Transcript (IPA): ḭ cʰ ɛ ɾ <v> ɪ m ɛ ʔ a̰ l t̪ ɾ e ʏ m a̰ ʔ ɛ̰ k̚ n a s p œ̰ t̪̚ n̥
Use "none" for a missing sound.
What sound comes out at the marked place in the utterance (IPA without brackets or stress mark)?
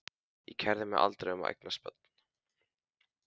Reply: ð